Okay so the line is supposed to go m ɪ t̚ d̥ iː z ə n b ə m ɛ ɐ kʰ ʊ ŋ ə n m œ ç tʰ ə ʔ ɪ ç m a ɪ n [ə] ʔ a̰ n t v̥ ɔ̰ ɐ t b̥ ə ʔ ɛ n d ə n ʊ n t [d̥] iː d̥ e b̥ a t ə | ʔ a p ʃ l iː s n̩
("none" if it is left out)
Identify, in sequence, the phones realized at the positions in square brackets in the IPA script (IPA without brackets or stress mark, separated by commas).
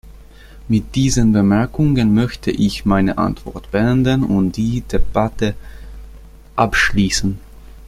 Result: ə, d̥